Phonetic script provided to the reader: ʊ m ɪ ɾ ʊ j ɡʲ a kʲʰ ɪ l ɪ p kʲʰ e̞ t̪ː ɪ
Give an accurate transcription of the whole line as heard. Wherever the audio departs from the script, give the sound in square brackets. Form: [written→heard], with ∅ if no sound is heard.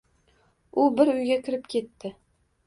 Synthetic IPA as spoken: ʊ [m→b] ɪ ɾ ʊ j ɡʲ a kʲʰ ɪ [l→ɾ] ɪ p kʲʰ e̞ t̪ː ɪ

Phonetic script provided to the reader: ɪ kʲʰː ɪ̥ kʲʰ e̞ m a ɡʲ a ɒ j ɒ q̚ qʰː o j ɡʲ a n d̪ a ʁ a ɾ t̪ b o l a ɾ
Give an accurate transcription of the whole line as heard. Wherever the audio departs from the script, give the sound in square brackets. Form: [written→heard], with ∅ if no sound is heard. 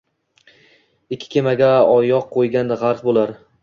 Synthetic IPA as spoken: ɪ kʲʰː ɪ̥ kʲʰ e̞ m a ɡʲ a ɒ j ɒ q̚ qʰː o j ɡʲ a n d̪ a ʁ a ɾ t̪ b o l a ɾ

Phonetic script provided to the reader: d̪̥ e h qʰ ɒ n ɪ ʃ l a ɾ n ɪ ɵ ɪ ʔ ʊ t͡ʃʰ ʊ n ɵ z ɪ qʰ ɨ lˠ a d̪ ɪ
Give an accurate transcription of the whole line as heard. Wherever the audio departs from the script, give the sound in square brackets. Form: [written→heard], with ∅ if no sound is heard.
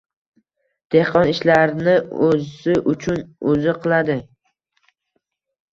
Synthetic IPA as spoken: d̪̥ e h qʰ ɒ n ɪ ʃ l a ɾ n ɪ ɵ ɪ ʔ ʊ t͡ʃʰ ʊ n ɵ z ɪ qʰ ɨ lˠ a d̪ ɪ

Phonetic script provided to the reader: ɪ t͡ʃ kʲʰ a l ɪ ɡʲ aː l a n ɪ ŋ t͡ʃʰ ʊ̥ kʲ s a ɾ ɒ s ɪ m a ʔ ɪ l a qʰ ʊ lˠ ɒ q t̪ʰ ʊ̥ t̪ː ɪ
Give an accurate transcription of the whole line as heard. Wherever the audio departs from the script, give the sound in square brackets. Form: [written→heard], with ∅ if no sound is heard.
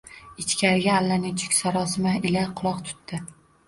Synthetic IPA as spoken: ɪ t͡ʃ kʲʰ a [l→ɾ] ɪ ɡʲ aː [l→lː] a n ɪ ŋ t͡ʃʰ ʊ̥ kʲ s a ɾ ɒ s ɪ m a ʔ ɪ l a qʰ ʊ lˠ ɒ q t̪ʰ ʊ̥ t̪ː ɪ

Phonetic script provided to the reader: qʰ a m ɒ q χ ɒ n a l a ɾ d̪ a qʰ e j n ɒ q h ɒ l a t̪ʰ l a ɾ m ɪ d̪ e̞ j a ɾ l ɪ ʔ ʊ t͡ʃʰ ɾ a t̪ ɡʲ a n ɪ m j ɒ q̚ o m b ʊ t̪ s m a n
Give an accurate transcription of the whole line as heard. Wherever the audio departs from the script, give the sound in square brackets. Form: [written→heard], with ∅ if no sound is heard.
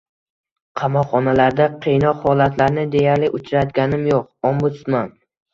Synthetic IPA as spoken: qʰ [a→ɑ] m ɒ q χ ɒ n a l a ɾ d̪ a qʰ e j n ɒ q h ɒ l a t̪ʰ l a ɾ [m→n] ɪ d̪ e̞ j a ɾ l ɪ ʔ ʊ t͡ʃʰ ɾ a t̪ ɡʲ a n ɪ m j [ɒ→o] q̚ o m b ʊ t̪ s m a n

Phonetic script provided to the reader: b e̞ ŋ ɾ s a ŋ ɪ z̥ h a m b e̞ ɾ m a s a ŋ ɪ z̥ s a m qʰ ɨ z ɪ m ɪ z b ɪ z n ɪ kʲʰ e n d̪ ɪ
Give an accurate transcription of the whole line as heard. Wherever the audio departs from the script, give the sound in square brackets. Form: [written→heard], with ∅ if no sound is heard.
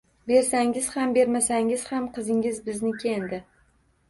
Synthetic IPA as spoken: b e̞ [ŋ→∅] ɾ s a ŋ ɪ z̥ h a m b e̞ ɾ m a s a ŋ ɪ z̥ [s→h] a m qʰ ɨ z ɪ [m→ŋ] ɪ z b ɪ z n ɪ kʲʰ e n d̪ ɪ

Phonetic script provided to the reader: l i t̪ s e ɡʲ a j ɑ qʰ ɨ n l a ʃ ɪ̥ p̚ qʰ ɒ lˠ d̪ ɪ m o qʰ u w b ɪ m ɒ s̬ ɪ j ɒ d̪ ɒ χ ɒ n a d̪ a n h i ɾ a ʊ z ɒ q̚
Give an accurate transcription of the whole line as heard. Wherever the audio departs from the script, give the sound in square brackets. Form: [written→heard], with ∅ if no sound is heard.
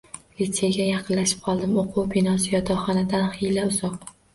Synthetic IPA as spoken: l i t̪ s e ɡʲ a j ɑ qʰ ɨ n l a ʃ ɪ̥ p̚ qʰ ɒ lˠ d̪ ɪ m o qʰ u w b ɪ [m→n] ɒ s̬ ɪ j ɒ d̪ ɒ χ ɒ n a d̪ a n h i [ɾ→l] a ʊ z ɒ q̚

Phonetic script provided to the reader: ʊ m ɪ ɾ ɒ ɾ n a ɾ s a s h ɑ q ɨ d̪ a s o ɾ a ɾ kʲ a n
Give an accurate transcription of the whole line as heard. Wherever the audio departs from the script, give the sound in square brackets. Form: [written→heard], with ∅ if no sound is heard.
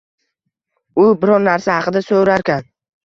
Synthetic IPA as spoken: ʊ [m→b] ɪ ɾ ɒ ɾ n a ɾ s a [s→∅] h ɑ q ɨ d̪ a s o ɾ a ɾ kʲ a n

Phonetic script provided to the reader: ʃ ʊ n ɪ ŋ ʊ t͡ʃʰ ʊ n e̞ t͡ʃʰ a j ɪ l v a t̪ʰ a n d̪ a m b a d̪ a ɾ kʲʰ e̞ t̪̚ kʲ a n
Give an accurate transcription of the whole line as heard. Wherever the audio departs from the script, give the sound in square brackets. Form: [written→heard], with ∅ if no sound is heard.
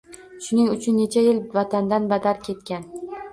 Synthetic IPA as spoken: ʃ ʊ n ɪ ŋ ʊ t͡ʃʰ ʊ [n→nː] e̞ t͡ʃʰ a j ɪ l v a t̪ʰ a n d̪ a [m→n] b a d̪ a ɾ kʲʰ e̞ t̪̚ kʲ a n

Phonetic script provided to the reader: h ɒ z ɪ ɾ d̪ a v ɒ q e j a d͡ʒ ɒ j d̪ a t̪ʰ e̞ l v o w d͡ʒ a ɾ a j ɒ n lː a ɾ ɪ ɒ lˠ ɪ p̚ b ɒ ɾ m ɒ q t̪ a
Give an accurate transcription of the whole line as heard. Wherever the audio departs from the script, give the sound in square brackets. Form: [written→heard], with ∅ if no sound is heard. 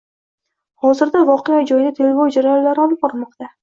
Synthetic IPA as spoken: h ɒ z ɪ ɾ d̪ a v ɒ q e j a d͡ʒ ɒ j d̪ a t̪ʰ e̞ l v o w d͡ʒ a ɾ a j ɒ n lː a ɾ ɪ ɒ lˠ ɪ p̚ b ɒ ɾ m ɒ q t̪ a

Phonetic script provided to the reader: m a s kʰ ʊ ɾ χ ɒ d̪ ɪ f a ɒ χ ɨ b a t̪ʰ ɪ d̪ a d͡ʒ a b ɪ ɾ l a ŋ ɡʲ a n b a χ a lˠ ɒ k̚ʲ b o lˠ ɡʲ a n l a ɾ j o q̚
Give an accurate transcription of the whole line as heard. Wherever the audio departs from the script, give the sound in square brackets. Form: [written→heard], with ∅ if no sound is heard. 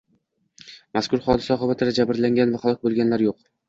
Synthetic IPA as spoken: m a s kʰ ʊ ɾ χ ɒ d̪ ɪ [f→s] a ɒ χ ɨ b a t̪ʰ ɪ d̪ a d͡ʒ a b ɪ ɾ l a ŋ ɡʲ a n [b→v] a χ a lˠ ɒ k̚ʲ b o lˠ ɡʲ a n l a ɾ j o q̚

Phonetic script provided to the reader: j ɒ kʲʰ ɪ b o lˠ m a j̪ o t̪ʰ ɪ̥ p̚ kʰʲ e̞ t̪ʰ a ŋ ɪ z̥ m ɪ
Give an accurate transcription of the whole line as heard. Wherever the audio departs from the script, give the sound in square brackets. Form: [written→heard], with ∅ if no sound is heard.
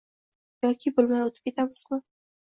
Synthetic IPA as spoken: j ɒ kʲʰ ɪ b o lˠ m a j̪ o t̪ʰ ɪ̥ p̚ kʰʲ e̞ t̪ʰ a [ŋ→m] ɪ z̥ m ɪ

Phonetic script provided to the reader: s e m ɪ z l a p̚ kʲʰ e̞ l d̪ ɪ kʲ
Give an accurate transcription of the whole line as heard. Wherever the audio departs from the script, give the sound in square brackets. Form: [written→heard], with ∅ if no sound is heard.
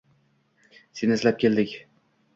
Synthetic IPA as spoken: s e [m→n] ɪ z l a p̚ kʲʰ e̞ l d̪ ɪ kʲ

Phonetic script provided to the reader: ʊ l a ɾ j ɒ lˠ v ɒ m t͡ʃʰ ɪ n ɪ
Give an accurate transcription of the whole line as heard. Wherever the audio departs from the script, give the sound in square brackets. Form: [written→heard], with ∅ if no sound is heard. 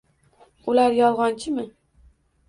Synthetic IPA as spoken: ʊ l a ɾ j ɒ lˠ [v→ʁ] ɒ [m→n] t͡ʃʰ ɪ [n→m] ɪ

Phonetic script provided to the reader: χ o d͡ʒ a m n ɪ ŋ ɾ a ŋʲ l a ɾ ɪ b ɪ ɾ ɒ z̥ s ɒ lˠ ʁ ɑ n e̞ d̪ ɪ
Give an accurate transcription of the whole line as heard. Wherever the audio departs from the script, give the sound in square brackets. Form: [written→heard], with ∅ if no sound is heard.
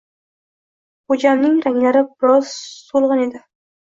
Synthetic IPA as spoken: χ o d͡ʒ a m n ɪ ŋ ɾ a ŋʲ l a ɾ ɪ b ɪ ɾ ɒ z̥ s [ɒ→o] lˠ ʁ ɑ n e̞ d̪ ɪ

